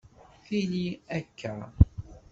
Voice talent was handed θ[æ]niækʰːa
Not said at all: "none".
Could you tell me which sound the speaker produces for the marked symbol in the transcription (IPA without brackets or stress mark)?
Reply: i